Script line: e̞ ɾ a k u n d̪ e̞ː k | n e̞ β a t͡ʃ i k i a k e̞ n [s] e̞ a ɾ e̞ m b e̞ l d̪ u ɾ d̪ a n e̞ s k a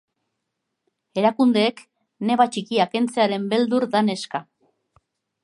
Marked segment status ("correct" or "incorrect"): incorrect